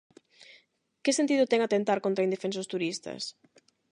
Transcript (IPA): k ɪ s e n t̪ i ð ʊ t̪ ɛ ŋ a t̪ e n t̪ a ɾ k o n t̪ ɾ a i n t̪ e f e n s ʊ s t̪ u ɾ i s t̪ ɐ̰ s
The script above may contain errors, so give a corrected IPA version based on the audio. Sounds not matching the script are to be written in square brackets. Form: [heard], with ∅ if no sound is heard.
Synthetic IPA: k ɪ s e n t̪ i ð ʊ t̪ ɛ ŋ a t̪ e n t̪ a ɾ k o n t̪ ɾ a i n [d̪] e f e n s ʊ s t̪ u ɾ i s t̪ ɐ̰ s